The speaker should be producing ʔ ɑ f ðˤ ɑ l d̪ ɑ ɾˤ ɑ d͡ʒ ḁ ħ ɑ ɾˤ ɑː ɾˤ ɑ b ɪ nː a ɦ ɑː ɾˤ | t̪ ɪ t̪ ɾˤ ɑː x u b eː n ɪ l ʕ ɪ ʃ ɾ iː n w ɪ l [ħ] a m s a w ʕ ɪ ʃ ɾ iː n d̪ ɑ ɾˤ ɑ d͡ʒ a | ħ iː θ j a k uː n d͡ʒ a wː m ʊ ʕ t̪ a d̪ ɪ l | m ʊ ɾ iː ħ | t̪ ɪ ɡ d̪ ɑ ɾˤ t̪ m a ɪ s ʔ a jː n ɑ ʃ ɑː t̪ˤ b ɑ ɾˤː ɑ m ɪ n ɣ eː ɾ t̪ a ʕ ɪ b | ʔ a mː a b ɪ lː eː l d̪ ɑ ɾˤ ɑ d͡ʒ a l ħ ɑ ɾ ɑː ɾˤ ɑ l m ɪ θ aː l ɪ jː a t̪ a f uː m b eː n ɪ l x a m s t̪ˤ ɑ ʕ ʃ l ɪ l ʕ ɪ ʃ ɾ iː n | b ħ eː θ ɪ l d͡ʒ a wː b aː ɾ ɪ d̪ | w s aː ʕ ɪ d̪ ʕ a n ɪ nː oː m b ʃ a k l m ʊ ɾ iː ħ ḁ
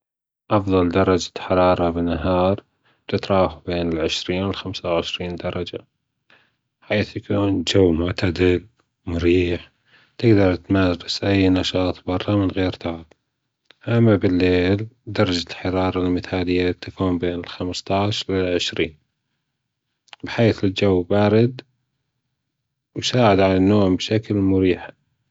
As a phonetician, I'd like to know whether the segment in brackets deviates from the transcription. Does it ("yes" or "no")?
yes